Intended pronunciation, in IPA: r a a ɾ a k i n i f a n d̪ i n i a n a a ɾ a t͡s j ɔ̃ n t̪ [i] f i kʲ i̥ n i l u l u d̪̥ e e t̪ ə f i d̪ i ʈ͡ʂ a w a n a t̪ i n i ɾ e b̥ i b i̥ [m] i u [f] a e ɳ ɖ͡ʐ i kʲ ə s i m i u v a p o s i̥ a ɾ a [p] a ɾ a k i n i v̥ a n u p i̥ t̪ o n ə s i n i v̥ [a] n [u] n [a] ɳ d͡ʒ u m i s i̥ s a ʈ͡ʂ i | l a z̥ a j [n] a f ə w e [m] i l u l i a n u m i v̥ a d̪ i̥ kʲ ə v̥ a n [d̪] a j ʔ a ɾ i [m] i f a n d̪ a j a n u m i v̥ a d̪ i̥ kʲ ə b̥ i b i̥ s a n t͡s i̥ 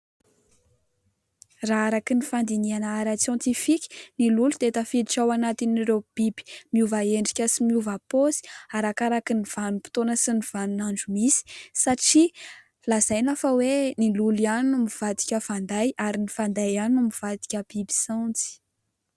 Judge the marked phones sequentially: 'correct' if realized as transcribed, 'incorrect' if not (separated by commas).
correct, correct, incorrect, incorrect, correct, correct, correct, correct, incorrect, correct, incorrect